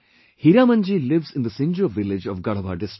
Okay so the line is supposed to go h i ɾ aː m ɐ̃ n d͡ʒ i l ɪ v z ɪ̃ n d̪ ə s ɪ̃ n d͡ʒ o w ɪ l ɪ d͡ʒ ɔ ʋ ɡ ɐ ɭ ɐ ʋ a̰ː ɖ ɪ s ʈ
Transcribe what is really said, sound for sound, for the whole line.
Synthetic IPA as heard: h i ɾ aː m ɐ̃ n d͡ʒ i l ɪ ʋ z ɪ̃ n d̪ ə s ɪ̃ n d͡ʒ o ʋ ɪ l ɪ d͡ʒ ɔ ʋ ɡ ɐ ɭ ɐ ʋ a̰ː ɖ ɪ s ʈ